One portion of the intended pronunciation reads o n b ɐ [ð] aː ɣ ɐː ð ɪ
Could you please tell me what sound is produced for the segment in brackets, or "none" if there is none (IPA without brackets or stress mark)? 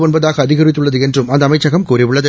ð